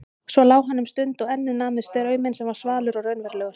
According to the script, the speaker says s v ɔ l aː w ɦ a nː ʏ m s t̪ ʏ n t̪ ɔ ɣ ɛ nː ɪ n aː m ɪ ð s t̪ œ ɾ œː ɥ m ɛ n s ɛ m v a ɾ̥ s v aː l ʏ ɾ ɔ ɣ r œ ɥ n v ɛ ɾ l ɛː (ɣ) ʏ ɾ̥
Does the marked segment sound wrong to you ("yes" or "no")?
no